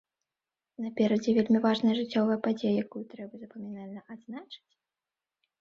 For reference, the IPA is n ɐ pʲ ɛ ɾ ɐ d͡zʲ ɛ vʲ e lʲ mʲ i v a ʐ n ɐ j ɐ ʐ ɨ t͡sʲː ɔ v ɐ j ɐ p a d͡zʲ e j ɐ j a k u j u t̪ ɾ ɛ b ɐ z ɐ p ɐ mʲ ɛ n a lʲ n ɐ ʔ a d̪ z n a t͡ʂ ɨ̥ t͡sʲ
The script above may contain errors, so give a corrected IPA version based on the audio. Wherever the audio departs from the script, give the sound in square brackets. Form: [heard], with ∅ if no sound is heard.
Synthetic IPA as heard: n ɐ pʲ ɛ ɾ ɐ d͡zʲ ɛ vʲ e lʲ mʲ i v a ʐ n ɐ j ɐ ʐ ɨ t͡sʲː ɔ v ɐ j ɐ p a d͡zʲ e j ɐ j a k u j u t̪ ɾ ɛ b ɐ z ɐ p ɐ mʲ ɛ n a lʲ n ɐ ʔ a d̪ z n a t͡ʂ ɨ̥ t͡sʲ

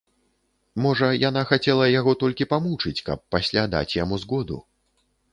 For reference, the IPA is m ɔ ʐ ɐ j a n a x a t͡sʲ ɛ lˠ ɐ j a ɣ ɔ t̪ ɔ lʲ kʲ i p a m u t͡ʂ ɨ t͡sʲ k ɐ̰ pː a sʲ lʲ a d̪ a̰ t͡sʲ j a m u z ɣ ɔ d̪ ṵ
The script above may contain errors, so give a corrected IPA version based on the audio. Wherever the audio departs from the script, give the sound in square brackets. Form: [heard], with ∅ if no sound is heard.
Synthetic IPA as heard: m ɔ ʐ ɐ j a n a x a t͡sʲ ɛ lˠ ɐ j a ɣ ɔ t̪ ɔ lʲ kʲ i p a m u t͡ʂ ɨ t͡sʲ k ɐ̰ pː a sʲ lʲ a d̪ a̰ t͡sʲ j a m u z ɣ ɔ d̪ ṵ

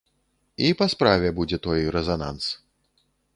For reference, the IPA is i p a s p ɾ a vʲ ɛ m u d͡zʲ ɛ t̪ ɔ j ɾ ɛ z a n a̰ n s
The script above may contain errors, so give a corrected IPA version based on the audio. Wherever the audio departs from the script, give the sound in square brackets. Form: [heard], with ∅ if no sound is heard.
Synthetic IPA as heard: i p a s p ɾ a vʲ ɛ [b] u d͡zʲ ɛ t̪ ɔ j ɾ ɛ z a n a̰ n s

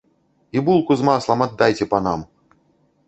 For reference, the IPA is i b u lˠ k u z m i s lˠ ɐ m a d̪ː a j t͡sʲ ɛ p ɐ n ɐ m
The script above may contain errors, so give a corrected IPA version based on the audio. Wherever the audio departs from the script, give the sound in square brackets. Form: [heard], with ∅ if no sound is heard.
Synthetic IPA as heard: i b u lˠ k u z m [a] s lˠ ɐ m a d̪ː a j t͡sʲ ɛ p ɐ n [a] m

